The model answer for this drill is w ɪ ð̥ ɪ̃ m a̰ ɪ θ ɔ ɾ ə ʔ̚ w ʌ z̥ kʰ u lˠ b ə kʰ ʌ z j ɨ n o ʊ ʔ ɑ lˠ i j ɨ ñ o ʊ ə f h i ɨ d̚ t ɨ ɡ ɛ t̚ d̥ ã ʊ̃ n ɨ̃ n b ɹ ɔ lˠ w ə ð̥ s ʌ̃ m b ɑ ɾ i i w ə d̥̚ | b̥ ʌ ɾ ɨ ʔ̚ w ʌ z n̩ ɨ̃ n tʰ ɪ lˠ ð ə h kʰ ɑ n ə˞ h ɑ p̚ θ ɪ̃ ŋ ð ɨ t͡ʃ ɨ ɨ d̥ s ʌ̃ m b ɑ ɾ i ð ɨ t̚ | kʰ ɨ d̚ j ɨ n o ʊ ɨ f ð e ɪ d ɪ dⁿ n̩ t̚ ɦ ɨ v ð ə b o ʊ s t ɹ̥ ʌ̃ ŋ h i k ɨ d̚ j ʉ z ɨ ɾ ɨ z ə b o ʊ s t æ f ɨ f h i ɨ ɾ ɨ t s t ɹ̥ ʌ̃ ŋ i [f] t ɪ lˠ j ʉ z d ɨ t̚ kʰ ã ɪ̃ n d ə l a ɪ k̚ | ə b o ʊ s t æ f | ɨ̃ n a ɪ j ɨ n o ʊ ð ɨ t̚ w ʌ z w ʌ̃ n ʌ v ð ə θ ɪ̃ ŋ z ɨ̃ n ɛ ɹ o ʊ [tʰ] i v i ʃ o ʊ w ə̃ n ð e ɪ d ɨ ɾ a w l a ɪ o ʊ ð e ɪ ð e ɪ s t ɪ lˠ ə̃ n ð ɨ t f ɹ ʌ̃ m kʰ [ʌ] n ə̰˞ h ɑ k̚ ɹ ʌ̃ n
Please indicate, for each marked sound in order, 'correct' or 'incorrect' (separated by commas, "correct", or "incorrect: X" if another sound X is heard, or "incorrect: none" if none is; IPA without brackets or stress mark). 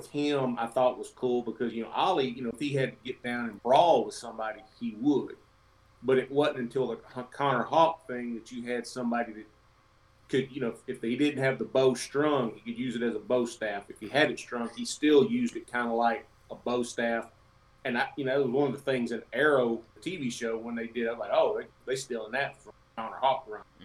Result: incorrect: s, correct, incorrect: ɑ